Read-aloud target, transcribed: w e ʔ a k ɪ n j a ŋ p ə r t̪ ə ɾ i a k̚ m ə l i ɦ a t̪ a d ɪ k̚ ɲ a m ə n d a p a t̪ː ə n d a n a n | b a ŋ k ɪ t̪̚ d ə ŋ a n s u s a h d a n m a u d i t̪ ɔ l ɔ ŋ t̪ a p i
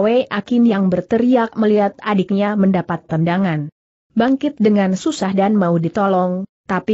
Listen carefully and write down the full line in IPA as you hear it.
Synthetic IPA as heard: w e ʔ a k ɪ n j a ŋ b ə r t̪ ə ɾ i a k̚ m ə l i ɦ a t̪ a d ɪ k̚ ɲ a m ə n d a p a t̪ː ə n d a ŋ a n | b a ŋ k ɪ t̪̚ d ə ŋ a n s u s a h d a n m a u d i t̪ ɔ l ɔ ŋ t̪ a p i